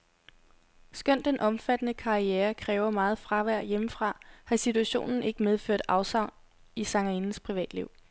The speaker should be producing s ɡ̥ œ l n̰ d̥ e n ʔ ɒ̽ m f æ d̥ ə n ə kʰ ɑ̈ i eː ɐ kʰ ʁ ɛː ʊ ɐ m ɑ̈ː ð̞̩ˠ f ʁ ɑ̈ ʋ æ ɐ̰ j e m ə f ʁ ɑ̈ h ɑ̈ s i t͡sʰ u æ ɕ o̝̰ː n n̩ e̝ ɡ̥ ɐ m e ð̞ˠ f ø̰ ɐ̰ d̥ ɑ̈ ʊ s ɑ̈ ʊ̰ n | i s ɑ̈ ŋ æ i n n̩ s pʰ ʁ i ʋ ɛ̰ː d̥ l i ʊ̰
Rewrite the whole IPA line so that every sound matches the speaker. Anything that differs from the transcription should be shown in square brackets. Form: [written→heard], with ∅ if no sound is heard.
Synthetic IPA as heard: s ɡ̥ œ [l→∅] n̰ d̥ e n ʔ ɒ̽ m f æ d̥ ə n ə kʰ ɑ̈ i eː ɐ kʰ ʁ ɛː ʊ ɐ m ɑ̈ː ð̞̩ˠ f ʁ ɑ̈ ʋ æ ɐ̰ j e m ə f ʁ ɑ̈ h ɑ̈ s i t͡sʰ u æ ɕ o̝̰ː n n̩ e̝ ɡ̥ [ɐ→ə] m e ð̞ˠ f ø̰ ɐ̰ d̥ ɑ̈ ʊ s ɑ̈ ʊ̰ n | i s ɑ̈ ŋ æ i n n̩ s pʰ ʁ i ʋ ɛ̰ː d̥ l i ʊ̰